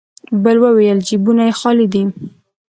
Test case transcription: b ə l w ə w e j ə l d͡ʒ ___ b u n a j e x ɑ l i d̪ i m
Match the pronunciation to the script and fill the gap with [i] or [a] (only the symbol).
i